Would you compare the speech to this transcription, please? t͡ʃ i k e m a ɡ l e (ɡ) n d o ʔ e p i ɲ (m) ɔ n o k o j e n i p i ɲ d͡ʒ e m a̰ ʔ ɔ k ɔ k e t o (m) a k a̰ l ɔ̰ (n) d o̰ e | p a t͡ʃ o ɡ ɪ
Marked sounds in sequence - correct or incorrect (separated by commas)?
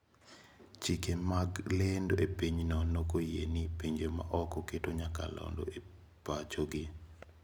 incorrect, incorrect, incorrect, correct